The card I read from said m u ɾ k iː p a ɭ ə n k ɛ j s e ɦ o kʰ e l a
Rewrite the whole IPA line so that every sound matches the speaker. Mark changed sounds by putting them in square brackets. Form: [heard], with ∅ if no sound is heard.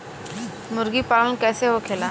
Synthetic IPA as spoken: m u ɾ [ɡ] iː p a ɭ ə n k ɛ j s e ɦ o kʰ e l a